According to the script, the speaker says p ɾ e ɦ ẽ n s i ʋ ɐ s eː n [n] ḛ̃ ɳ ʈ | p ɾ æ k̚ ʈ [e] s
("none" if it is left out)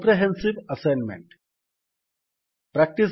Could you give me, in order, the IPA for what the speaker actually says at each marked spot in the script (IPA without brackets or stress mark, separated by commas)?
m, i